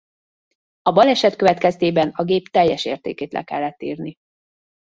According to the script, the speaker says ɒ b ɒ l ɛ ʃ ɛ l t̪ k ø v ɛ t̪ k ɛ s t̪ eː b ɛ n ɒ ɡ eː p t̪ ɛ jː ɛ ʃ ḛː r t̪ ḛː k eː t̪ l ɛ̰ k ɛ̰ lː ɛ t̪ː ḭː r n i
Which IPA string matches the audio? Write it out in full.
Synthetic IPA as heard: ɒ b ɒ l ɛ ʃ ɛ t̪ k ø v ɛ t̪ k ɛ s t̪ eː b ɛ n ɒ ɡ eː p t̪ ɛ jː ɛ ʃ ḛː r t̪ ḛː k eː t̪ l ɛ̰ k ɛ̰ lː ɛ t̪ː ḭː r n i